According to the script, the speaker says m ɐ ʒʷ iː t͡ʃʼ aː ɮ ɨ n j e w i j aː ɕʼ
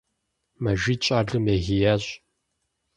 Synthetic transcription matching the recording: m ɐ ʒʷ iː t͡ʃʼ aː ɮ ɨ m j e ɣ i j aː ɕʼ